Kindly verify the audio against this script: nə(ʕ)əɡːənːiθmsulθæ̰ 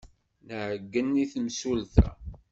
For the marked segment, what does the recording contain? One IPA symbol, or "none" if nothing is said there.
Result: ʕ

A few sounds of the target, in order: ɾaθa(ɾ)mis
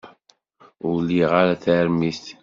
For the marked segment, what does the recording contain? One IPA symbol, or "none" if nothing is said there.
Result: ɾ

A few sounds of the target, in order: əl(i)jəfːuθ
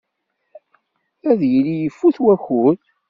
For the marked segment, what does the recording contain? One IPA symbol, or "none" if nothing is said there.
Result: i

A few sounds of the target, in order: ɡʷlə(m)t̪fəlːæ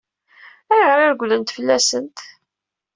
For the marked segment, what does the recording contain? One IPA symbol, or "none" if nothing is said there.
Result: n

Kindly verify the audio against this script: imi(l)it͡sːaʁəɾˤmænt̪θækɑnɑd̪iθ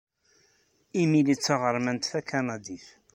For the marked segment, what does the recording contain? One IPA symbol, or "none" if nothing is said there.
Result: l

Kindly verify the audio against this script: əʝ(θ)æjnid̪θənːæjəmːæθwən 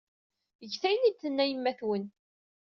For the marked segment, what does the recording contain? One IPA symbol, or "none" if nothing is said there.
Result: θ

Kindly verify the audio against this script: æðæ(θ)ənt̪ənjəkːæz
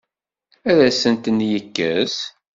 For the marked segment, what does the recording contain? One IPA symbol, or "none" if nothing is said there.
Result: s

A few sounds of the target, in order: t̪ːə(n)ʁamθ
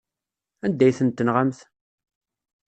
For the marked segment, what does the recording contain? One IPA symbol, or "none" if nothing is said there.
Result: n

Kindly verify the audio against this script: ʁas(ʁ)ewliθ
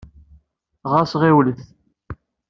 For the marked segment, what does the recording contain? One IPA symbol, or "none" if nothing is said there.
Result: ʁ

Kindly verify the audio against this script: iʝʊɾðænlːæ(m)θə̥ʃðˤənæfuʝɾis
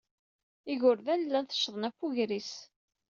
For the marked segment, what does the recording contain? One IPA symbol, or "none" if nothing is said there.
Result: n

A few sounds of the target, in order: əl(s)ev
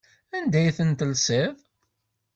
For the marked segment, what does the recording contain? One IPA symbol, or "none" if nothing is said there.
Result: s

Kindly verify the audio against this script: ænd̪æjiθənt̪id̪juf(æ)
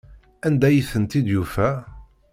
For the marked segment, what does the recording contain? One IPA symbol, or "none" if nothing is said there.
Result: æ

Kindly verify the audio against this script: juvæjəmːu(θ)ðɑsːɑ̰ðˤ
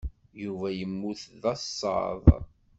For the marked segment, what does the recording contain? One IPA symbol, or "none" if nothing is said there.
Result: θ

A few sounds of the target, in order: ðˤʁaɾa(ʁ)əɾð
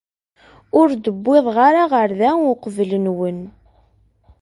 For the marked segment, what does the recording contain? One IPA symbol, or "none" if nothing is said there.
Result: ʁ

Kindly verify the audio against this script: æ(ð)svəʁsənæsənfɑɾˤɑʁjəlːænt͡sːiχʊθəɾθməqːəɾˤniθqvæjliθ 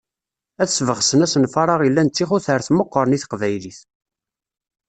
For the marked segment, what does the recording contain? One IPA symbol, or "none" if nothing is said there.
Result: θ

